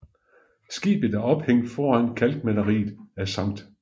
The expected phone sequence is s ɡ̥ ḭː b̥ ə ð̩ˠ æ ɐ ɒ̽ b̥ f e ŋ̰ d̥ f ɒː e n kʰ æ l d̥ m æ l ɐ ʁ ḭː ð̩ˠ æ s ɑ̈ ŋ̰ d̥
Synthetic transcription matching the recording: s ɡ̥ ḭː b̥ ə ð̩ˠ æ ɐ ɒ̽ b̥ h e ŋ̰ d̥ f ɒː æ n kʰ æ l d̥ m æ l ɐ ʁ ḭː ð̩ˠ æ s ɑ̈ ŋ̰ d̥